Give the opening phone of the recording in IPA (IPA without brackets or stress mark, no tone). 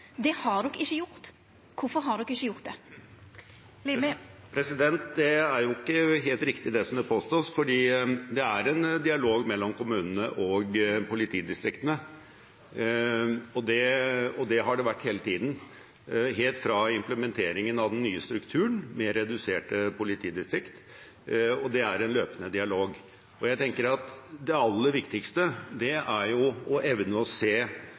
d̪